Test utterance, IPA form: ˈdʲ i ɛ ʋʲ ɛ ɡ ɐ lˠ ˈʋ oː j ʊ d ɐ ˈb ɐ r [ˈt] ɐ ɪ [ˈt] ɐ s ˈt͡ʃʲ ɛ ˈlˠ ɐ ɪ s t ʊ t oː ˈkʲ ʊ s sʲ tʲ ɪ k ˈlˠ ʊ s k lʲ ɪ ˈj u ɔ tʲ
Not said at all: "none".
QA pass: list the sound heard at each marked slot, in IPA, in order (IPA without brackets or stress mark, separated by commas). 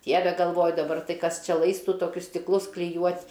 t, k